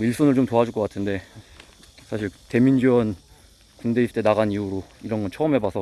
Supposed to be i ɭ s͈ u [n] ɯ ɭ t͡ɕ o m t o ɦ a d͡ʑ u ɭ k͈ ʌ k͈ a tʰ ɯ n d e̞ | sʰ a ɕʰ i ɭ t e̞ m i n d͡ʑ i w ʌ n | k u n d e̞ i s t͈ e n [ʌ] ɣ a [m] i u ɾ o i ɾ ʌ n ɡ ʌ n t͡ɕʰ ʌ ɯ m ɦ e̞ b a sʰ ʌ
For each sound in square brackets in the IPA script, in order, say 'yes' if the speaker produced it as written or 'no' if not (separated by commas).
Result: yes, no, no